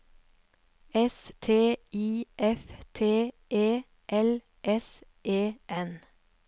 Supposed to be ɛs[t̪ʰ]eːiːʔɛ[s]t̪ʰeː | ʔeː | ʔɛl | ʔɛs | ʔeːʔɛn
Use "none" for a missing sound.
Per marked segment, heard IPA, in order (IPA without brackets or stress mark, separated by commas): t̪ʰ, f